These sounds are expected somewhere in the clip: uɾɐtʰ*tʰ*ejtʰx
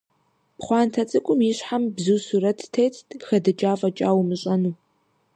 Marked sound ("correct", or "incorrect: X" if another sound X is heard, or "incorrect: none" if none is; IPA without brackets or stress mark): correct